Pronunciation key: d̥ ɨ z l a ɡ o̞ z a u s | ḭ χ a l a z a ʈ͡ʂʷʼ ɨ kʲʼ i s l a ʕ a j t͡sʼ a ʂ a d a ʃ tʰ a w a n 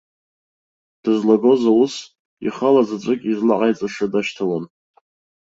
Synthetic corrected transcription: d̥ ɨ z l a ɡ o̞ z a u s | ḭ χ a l a z a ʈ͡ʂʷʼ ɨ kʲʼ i z l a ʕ a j t͡sʼ a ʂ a d a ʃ tʰ a w a n